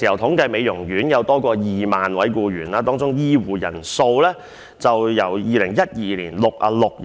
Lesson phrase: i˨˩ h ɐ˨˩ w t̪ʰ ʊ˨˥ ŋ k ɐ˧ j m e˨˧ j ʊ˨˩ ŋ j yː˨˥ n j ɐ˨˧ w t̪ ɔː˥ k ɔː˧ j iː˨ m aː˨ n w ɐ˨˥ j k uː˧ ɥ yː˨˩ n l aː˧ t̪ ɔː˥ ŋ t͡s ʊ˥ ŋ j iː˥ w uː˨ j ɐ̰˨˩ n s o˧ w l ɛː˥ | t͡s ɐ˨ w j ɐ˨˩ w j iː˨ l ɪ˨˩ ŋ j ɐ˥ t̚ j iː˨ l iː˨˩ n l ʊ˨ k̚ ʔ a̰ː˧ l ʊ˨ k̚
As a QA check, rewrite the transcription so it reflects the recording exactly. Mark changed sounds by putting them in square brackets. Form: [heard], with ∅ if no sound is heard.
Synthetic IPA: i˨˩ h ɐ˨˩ w t̪ʰ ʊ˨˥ ŋ k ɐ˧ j m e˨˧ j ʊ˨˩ ŋ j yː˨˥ n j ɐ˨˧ w t̪ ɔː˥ k ɔː˧ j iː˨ m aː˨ n w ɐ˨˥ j k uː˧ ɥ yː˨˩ n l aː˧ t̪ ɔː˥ ŋ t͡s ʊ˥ ŋ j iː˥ w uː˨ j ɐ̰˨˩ n s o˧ w l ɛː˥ | t͡s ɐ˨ w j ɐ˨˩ w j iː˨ l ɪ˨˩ ŋ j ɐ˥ t̚ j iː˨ l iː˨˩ n l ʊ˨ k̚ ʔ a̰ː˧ l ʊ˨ k̚

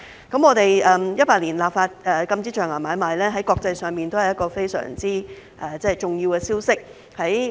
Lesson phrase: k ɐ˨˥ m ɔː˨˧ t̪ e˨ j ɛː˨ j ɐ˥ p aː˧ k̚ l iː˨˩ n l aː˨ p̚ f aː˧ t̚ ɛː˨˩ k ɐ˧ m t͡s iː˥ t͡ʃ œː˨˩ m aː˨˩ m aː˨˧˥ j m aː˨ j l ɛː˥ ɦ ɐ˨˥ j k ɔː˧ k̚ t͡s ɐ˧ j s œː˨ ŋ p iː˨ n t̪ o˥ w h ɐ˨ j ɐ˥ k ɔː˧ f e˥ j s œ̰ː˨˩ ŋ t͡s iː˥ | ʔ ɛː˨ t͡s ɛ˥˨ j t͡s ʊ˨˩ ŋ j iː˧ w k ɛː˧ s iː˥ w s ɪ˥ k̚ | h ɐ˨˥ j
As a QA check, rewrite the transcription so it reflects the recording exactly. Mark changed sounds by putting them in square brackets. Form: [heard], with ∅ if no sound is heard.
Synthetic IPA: k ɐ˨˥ m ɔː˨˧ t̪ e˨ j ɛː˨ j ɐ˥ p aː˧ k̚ l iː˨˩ n l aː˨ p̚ f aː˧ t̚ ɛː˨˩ k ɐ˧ m t͡s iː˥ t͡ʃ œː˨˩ [ŋ] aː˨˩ m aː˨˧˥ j m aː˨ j l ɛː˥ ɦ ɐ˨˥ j k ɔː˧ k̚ t͡s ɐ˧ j s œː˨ ŋ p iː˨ n t̪ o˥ w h ɐ˨ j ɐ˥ k ɔː˧ f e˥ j s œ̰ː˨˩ ŋ t͡s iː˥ | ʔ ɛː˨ t͡s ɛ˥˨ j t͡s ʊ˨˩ ŋ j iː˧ w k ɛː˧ s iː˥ w s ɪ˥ k̚ | h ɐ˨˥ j

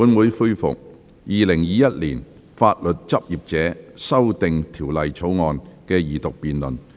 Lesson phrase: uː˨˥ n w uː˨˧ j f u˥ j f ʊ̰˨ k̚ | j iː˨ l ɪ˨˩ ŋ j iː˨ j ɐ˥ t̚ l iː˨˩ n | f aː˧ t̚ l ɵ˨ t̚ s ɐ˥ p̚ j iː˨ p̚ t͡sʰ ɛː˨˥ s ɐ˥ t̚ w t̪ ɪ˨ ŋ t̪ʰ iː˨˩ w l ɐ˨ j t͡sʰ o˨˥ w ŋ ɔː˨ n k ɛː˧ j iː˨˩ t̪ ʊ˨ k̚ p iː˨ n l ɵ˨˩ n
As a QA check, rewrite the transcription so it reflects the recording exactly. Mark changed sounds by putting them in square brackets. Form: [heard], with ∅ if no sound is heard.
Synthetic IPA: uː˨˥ n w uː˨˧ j f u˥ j f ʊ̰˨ k̚ | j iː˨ l ɪ˨˩ ŋ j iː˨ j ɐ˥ t̚ l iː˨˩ n | f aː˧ t̚ l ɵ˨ t̚ [t͡s] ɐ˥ p̚ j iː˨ p̚ [t͡s] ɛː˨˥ s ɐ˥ [∅] w t̪ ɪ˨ ŋ t̪ʰ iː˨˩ w l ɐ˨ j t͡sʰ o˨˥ w ŋ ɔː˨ n k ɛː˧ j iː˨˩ t̪ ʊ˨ k̚ p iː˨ n l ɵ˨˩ n

